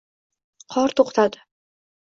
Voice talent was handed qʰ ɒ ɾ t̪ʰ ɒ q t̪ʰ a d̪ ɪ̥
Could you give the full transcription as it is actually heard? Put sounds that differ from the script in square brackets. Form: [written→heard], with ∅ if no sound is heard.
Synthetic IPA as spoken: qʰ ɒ ɾ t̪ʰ [ɒ→o] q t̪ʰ a d̪ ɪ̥